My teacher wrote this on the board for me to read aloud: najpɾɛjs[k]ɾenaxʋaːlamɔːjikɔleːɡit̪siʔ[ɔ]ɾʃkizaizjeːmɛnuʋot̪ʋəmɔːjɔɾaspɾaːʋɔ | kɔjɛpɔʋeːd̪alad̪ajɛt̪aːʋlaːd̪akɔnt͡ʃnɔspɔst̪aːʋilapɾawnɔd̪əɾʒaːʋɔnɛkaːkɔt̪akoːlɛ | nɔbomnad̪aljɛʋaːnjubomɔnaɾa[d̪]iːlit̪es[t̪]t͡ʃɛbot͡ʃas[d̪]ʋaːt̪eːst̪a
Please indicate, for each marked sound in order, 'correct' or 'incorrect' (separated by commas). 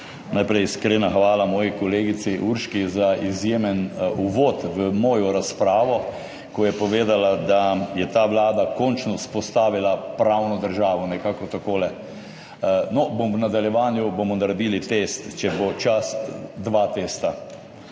correct, incorrect, correct, correct, correct